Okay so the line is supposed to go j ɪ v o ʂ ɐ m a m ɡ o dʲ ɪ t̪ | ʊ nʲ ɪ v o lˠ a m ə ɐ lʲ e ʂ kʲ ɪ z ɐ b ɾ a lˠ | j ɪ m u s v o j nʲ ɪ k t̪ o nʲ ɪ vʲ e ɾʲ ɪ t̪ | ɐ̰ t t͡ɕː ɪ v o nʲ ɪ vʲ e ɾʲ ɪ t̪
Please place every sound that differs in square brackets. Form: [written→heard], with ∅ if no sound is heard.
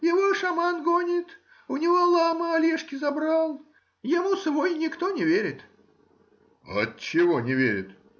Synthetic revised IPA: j ɪ v o ʂ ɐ m a [m→n] ɡ o [dʲ→nʲ] ɪ t̪ | ʊ nʲ ɪ v o lˠ a m ə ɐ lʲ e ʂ kʲ ɪ z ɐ b ɾ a lˠ | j ɪ m u s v o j nʲ ɪ k t̪ o nʲ ɪ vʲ e ɾʲ ɪ t̪ | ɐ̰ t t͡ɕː ɪ v o nʲ ɪ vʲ e ɾʲ ɪ t̪